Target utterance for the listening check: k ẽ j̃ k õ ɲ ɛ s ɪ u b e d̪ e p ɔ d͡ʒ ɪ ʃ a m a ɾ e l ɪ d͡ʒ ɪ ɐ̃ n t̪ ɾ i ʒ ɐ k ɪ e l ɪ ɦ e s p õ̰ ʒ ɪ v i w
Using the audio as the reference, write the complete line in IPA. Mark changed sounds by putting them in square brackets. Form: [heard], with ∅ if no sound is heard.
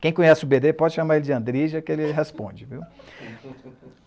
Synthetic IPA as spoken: k ẽ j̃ k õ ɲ ɛ s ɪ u b e d̪ e p ɔ d͡ʒ ɪ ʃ a m a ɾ e l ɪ d͡ʒ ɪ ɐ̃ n [d̪] ɾ i ʒ ɐ k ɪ e l ɪ ɦ e s p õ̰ [d͡ʒ] ɪ v i w